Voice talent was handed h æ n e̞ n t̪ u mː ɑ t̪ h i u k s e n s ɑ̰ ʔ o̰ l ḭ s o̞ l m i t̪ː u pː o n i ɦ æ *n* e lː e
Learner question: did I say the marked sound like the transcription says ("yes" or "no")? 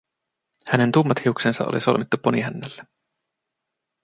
no